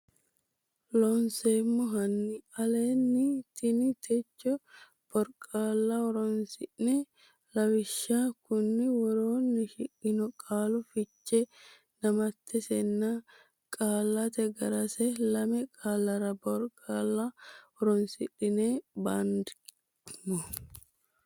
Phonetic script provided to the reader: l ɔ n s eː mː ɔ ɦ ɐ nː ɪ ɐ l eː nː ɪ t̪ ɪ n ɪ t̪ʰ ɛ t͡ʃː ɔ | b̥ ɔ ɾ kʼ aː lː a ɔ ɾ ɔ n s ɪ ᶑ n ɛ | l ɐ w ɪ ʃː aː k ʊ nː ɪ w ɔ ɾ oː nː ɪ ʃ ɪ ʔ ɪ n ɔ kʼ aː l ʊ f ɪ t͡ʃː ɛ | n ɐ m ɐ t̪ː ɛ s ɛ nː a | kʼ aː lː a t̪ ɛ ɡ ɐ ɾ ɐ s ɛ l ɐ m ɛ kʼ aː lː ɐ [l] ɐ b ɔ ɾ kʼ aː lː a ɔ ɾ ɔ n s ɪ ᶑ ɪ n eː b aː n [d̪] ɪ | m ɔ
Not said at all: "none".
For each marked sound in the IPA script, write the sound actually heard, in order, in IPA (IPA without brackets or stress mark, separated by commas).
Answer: ɾ, d̪